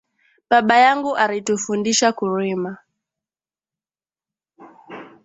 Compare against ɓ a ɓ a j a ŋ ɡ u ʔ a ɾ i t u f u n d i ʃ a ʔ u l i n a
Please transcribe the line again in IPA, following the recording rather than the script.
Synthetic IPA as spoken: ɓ a ɓ a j a ŋ ɡ u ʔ a ɾ i t u f u n d i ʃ a k u ɾ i m a